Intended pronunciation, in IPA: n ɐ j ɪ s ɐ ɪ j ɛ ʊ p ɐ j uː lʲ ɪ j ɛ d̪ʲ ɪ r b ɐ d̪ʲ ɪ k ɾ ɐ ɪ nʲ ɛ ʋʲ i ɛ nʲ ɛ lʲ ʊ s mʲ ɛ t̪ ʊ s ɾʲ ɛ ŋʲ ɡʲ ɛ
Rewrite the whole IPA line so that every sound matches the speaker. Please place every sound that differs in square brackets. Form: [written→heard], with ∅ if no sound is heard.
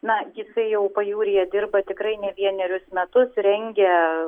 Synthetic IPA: n ɐ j ɪ s ɐ ɪ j ɛ ʊ p ɐ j uː [lʲ→ɾʲ] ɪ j ɛ d̪ʲ ɪ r b ɐ [d̪ʲ→t̪ʲ] ɪ k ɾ ɐ ɪ nʲ ɛ ʋʲ i ɛ nʲ ɛ [lʲ→ɾʲ] ʊ s mʲ ɛ t̪ ʊ s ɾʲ ɛ ŋʲ ɡʲ ɛ